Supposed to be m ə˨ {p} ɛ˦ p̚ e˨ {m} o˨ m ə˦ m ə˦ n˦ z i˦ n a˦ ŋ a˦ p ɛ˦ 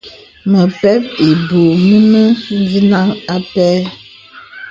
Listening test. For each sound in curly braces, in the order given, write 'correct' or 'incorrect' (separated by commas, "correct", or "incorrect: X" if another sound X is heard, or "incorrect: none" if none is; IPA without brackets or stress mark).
correct, incorrect: b